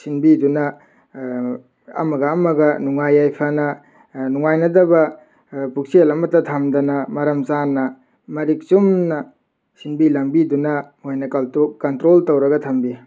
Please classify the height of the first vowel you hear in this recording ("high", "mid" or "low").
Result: high